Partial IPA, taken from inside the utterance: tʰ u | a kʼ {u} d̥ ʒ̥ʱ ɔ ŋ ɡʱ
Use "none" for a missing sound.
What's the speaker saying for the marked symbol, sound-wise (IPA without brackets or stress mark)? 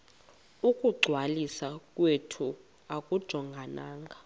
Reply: u